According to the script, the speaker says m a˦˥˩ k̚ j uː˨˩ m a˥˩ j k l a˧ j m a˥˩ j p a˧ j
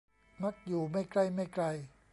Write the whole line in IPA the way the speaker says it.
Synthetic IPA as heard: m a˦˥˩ k̚ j uː˨˩ m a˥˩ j k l a˥˩ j m a˥˩ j k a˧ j